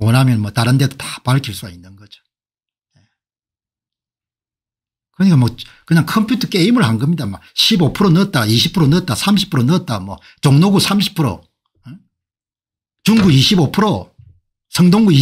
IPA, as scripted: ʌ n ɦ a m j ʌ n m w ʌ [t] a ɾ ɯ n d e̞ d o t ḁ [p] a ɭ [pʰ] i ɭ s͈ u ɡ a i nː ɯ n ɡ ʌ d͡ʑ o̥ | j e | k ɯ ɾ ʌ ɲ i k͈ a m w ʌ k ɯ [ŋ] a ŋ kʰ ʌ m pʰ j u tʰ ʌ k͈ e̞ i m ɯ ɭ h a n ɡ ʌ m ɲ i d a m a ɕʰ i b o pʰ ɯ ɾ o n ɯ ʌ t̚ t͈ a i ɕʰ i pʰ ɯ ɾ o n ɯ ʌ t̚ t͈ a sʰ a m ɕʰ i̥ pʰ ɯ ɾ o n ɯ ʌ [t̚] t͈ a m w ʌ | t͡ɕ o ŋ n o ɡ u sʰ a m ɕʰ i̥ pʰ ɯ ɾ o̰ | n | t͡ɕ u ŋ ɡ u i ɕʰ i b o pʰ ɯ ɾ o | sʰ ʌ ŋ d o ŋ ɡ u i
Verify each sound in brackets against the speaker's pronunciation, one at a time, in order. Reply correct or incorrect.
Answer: correct, correct, incorrect: kʰ, incorrect: ɲ, correct

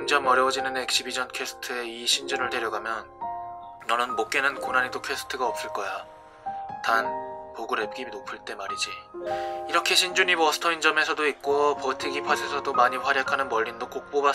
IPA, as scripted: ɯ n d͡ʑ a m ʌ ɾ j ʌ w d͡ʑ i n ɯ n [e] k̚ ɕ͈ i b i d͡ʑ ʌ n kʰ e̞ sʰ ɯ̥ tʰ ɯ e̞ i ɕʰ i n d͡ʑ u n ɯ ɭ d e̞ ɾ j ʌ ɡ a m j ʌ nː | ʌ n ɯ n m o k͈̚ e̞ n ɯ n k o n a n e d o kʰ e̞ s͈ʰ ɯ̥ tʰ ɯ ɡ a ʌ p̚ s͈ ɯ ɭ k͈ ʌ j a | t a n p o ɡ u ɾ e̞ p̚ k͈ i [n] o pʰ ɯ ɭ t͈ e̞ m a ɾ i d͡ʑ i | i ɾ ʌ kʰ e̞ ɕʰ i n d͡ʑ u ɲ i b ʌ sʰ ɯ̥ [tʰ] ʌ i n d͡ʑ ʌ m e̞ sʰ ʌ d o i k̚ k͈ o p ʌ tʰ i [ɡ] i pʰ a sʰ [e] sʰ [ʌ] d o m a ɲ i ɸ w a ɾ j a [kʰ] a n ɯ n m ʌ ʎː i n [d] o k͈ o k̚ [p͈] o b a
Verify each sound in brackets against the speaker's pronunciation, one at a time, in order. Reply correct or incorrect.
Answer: correct, correct, correct, correct, correct, correct, correct, correct, correct

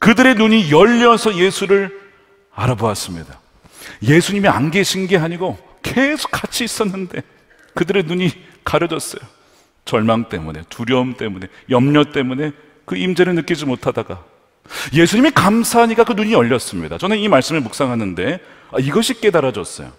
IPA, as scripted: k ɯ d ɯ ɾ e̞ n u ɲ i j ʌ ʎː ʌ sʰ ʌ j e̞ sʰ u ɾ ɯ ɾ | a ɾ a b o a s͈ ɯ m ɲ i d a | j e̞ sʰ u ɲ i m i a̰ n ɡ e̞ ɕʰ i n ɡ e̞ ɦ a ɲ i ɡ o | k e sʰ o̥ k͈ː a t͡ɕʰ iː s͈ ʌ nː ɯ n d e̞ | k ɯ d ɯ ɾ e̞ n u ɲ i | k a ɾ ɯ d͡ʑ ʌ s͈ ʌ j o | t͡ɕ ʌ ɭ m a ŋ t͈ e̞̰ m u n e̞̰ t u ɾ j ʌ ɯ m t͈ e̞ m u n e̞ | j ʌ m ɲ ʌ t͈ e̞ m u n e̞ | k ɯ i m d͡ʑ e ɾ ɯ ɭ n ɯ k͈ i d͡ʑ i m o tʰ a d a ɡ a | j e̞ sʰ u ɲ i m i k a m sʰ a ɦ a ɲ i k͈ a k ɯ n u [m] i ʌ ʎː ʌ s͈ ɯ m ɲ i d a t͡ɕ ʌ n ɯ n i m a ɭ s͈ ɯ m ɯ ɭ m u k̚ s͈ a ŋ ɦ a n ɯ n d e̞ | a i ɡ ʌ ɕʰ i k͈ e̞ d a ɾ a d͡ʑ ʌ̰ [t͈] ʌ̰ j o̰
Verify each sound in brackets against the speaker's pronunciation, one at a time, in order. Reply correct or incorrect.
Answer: incorrect: ɲ, incorrect: s͈

